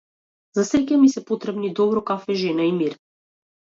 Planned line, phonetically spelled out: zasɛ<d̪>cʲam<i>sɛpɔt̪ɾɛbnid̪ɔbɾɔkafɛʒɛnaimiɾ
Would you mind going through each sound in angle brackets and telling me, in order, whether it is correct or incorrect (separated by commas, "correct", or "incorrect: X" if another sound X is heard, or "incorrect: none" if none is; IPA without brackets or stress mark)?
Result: incorrect: none, correct